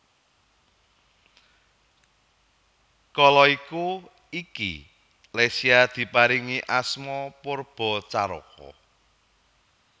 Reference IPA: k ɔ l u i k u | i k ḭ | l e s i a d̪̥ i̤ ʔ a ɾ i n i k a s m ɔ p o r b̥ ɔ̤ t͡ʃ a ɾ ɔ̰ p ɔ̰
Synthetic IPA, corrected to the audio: k ɔ l ɔ i k u | i k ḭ | l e s i a d̪̥ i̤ p a ɾ i ŋ i ʔ a s m ɔ p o r b̥ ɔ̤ t͡ʃ a ɾ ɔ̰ k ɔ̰